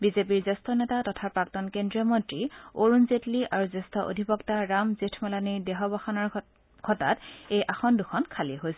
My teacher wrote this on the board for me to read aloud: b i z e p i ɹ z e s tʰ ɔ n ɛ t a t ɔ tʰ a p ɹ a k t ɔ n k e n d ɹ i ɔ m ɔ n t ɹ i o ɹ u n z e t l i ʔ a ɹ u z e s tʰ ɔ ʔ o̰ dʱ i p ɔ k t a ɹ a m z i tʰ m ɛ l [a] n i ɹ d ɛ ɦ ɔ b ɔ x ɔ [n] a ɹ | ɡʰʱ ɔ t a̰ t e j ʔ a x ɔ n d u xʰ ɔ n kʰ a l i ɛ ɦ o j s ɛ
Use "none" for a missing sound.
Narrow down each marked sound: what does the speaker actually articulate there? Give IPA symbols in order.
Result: a, n

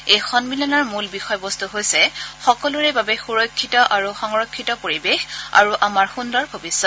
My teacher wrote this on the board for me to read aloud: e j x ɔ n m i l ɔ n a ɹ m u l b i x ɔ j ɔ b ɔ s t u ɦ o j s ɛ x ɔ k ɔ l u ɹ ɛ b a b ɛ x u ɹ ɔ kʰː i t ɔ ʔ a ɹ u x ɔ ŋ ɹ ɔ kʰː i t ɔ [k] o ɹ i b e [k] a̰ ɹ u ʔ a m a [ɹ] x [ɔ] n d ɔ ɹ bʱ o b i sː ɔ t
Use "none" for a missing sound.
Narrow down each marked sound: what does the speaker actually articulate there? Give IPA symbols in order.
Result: p, x, ɹ, u

